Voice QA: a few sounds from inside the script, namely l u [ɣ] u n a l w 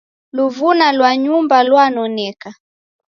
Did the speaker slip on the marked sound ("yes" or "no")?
yes